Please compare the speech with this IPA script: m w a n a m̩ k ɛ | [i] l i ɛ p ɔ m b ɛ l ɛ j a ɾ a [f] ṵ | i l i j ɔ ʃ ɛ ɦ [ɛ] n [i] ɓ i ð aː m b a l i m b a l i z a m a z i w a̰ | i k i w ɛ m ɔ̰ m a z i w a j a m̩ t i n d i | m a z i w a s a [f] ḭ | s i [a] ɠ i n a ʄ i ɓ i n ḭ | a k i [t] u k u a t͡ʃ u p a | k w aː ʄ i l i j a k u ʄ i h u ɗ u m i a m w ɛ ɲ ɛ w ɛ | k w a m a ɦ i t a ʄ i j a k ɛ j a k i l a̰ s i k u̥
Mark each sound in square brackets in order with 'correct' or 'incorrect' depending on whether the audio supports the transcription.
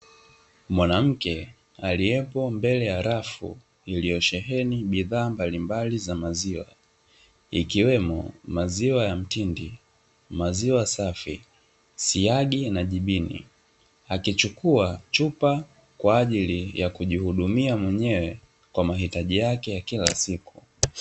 incorrect, correct, correct, correct, correct, correct, incorrect

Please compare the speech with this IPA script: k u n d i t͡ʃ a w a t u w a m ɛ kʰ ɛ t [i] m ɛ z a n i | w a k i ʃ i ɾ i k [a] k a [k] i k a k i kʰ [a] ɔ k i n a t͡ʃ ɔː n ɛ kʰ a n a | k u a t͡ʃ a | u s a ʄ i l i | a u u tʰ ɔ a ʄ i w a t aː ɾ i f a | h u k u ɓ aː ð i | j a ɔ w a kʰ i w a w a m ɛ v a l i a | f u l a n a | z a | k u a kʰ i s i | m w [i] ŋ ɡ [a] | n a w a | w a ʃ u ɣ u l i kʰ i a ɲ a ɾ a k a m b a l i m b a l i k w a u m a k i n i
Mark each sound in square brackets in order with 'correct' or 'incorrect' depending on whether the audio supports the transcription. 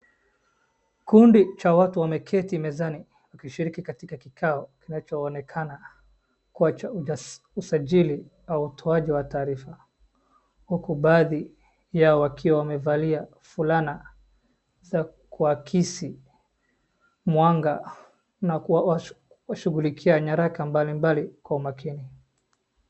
correct, incorrect, incorrect, correct, incorrect, correct

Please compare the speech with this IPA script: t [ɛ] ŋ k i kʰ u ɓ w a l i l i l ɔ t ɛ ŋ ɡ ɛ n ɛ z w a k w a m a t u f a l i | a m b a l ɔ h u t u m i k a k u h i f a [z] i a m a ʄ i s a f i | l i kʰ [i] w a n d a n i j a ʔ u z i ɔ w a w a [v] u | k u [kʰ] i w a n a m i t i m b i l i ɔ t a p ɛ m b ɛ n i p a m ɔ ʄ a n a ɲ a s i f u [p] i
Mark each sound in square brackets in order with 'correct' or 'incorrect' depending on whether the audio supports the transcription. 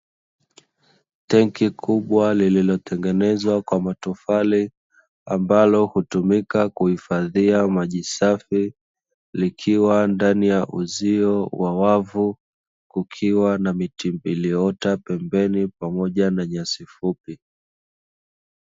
correct, incorrect, correct, correct, correct, correct

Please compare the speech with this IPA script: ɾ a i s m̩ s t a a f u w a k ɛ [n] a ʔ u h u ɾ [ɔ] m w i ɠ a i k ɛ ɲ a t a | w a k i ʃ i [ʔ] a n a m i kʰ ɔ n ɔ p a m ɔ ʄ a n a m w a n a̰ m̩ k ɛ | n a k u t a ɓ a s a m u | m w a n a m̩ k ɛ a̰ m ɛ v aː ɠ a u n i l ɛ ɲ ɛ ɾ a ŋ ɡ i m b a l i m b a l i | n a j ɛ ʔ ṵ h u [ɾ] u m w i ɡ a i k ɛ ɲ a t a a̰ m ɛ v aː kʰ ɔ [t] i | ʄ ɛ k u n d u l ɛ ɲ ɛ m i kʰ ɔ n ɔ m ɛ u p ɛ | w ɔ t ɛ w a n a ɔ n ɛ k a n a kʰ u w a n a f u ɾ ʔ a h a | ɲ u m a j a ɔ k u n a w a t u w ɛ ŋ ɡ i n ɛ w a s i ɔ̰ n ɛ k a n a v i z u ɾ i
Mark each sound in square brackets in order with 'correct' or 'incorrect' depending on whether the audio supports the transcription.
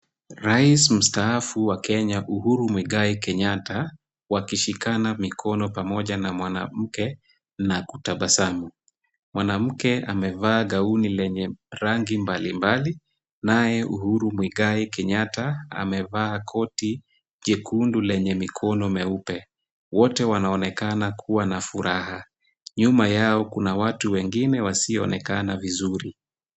incorrect, incorrect, incorrect, correct, correct

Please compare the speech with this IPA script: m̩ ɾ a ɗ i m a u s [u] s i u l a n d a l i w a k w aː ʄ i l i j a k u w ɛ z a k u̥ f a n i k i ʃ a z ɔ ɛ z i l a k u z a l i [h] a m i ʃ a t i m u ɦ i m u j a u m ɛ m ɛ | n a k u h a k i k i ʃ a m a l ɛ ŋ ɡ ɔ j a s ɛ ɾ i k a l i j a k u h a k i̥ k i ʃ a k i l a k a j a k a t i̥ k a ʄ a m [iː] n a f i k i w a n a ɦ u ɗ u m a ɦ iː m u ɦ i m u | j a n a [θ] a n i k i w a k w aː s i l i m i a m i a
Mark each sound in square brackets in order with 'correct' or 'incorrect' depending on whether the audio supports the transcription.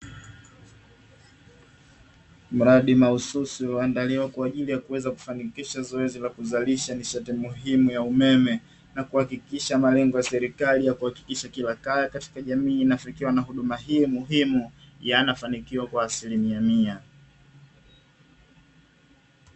correct, incorrect, correct, incorrect

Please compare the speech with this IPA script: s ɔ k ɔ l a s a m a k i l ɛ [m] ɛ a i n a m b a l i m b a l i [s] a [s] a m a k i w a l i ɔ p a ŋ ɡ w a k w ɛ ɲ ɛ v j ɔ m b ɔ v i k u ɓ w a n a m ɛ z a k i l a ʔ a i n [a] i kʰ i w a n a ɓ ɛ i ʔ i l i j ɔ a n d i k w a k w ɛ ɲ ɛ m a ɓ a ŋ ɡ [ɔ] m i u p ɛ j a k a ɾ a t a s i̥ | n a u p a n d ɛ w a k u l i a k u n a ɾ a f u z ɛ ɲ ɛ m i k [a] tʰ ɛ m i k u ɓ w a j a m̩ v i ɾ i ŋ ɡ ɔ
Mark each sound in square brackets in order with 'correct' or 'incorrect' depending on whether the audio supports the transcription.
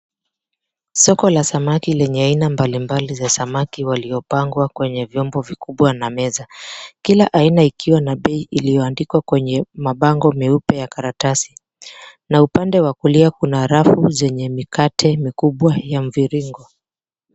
incorrect, incorrect, correct, correct, correct, correct

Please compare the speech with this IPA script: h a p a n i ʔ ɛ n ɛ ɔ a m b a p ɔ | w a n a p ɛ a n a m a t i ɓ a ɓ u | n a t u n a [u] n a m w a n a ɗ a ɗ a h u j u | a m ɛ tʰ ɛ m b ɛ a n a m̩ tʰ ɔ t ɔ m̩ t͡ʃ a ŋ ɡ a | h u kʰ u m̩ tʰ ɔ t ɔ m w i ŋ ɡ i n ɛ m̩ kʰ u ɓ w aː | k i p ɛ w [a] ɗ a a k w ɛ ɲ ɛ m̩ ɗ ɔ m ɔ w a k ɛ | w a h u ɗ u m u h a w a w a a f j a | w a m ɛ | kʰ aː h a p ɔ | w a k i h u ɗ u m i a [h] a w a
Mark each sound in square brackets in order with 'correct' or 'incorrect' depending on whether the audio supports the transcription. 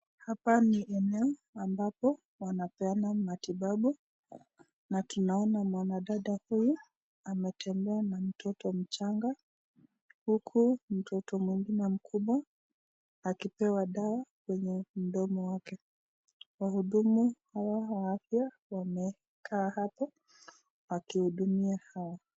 incorrect, correct, correct

